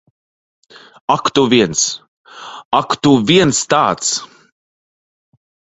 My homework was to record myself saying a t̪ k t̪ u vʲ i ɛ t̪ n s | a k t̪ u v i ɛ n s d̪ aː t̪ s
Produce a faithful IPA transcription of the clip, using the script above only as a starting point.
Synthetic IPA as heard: a k t̪ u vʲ i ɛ n s | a k t̪ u v i ɛ n s t̪ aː t̪ s